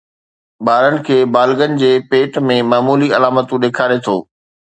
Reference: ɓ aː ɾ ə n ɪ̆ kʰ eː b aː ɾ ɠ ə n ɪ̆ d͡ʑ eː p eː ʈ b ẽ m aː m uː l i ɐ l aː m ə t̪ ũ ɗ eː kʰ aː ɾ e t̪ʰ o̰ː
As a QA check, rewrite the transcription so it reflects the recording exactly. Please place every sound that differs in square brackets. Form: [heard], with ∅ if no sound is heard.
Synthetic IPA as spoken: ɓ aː ɾ ə n ɪ̆ kʰ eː b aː [l] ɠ ə n ɪ̆ d͡ʑ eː p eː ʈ [m] ẽ m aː m uː l i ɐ l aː m ə t̪ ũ ɗ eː kʰ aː ɾ e t̪ʰ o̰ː